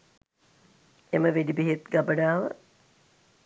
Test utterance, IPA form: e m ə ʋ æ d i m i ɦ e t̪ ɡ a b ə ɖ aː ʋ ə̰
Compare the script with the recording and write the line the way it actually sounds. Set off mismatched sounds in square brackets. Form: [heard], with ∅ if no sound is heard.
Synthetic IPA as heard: e m ə ʋ [e] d i [b] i ɦ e t̪ ɡ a b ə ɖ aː ʋ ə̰